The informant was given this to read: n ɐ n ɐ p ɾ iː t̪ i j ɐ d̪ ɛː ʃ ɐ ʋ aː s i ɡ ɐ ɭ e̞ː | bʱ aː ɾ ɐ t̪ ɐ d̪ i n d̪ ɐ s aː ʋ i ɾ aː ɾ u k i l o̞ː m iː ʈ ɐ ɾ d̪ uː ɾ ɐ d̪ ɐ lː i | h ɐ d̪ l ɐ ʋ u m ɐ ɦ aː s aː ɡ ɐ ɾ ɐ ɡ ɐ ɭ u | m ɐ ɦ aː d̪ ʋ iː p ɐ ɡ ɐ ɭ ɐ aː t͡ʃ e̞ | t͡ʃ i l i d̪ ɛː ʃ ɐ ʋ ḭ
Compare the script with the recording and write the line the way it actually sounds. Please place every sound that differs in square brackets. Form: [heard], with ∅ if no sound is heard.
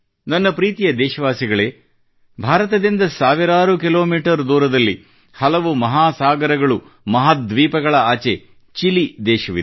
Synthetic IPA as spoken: n ɐ [nː] ɐ p ɾ iː t̪ i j ɐ d̪ ɛː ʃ ɐ ʋ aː s i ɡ ɐ ɭ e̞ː | bʱ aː ɾ ɐ t̪ ɐ d̪ i n d̪ ɐ s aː ʋ i ɾ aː ɾ u k i l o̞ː m iː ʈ ɐ ɾ d̪ uː ɾ ɐ d̪ ɐ lː i | h ɐ [∅] l ɐ ʋ u m ɐ ɦ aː s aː ɡ ɐ ɾ ɐ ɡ ɐ ɭ u | m ɐ ɦ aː d̪ ʋ iː p ɐ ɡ ɐ ɭ ɐ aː t͡ʃ e̞ | t͡ʃ i l i d̪ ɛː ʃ ɐ ʋ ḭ